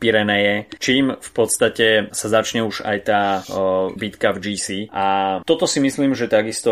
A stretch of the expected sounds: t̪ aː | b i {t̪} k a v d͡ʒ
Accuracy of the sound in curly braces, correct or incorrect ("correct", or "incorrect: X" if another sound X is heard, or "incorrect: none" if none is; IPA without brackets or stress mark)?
correct